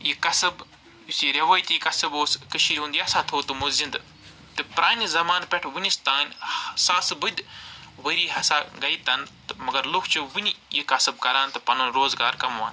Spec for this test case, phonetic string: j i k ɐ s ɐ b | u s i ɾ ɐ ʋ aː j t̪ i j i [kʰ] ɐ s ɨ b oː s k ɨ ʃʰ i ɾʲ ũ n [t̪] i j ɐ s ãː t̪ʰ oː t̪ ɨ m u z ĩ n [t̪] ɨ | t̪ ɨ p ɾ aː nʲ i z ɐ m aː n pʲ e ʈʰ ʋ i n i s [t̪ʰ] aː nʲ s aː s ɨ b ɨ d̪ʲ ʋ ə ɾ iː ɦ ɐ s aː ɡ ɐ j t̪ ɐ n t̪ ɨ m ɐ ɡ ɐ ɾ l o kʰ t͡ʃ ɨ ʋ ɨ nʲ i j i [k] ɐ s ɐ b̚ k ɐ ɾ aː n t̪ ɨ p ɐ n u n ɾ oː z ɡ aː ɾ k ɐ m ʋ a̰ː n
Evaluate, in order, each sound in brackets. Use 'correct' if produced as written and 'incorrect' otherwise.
incorrect: k, incorrect: d̪, incorrect: d̪, incorrect: t̪, correct

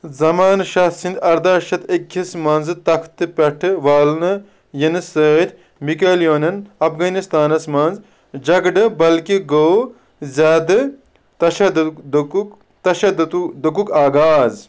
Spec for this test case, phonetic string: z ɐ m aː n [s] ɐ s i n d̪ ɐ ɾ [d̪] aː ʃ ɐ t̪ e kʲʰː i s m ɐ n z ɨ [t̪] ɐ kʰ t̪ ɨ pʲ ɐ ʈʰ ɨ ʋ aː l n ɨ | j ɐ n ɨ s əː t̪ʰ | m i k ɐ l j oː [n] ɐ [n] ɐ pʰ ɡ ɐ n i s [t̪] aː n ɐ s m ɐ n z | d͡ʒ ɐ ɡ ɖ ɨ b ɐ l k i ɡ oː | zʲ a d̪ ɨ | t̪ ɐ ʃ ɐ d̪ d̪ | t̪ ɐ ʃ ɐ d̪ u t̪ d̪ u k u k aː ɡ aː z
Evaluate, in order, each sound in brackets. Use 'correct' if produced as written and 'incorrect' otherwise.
incorrect: ʃ, correct, correct, correct, correct, correct

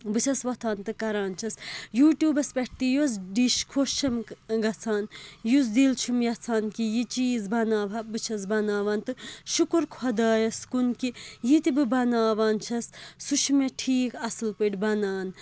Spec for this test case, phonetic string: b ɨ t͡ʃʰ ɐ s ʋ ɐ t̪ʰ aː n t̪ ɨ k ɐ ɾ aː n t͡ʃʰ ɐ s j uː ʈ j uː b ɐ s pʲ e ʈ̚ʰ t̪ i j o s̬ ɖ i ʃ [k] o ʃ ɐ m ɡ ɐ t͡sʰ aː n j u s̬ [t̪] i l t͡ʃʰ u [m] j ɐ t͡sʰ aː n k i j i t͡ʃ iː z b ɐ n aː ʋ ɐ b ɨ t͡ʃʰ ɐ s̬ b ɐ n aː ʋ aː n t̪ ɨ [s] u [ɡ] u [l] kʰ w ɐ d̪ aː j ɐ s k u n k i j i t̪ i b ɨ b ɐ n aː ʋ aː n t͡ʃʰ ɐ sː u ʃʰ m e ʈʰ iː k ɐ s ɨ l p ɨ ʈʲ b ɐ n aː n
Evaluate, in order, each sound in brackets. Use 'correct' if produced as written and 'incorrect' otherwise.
incorrect: kʰ, incorrect: d̪, correct, incorrect: ʃ, incorrect: k, incorrect: ɾ

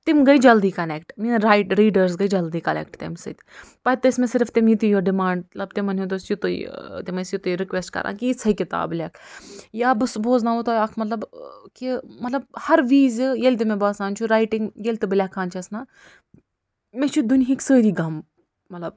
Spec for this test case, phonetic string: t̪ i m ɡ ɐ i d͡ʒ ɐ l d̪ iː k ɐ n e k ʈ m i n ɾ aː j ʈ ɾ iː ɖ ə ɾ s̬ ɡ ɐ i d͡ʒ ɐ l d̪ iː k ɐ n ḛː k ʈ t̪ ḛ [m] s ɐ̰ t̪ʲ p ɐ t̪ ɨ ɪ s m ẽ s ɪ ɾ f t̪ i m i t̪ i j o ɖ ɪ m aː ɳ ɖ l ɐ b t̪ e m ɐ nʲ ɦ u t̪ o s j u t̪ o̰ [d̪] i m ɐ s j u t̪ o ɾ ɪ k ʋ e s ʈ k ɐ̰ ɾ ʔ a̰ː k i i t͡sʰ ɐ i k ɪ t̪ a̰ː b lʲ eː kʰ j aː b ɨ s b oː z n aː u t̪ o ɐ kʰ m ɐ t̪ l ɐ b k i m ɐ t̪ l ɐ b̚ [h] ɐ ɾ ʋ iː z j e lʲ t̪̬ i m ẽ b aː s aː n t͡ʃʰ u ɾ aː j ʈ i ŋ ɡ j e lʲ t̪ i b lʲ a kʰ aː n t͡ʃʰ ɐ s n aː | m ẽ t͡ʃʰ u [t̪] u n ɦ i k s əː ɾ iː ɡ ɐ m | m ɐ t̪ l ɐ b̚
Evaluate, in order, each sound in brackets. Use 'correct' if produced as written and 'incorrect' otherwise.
correct, incorrect: t̪, correct, incorrect: d̪

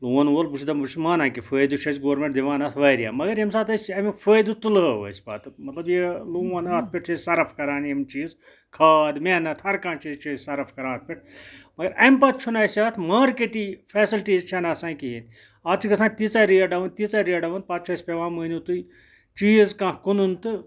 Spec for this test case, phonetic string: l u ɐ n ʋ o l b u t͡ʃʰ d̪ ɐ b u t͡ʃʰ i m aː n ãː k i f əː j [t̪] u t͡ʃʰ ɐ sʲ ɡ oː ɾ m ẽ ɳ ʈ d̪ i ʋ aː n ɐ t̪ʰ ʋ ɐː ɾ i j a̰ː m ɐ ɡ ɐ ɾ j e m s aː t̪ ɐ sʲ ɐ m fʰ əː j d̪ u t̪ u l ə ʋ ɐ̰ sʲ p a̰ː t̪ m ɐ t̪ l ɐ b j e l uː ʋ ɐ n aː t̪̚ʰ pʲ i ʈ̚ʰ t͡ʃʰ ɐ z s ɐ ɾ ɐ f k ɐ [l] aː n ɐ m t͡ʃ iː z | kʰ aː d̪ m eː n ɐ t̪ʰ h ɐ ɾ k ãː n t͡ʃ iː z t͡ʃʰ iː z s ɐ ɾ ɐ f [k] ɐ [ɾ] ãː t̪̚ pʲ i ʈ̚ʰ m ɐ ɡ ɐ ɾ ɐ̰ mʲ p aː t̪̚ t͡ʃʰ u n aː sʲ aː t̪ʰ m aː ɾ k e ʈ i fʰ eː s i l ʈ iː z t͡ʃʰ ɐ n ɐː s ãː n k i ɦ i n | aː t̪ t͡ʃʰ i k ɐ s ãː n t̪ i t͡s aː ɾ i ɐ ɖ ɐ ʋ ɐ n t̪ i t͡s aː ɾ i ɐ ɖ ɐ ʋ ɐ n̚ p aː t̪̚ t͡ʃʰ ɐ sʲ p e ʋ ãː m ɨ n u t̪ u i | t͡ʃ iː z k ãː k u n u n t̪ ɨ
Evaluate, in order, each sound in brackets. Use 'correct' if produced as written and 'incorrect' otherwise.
incorrect: d̪, incorrect: ɾ, correct, correct

